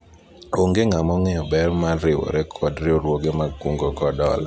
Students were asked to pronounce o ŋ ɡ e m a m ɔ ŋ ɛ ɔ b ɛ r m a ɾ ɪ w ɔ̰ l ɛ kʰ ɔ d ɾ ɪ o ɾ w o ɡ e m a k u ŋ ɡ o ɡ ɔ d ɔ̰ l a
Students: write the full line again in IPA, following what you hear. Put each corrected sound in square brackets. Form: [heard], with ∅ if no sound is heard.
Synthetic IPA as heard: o ŋ ɡ e [ŋ] a m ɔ ŋ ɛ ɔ b ɛ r m a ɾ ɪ w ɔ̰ [ɾ] ɛ kʰ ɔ d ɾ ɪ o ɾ w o ɡ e m a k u ŋ ɡ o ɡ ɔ d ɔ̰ l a